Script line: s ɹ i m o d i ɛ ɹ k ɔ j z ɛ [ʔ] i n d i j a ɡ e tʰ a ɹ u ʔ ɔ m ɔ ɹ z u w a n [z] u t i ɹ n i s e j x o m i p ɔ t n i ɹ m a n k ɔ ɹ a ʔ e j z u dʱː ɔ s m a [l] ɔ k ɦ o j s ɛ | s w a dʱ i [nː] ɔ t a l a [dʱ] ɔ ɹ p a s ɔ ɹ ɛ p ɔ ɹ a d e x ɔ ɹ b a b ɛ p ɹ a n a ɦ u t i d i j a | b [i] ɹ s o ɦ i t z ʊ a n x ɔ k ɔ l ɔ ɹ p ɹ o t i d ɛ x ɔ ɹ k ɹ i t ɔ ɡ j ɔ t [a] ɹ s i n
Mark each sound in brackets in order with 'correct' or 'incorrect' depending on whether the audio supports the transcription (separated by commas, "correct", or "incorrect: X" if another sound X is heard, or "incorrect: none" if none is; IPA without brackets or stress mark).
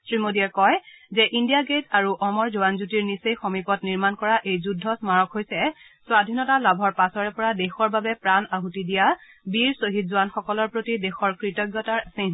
correct, correct, incorrect: ɹ, incorrect: n, incorrect: bʱ, correct, correct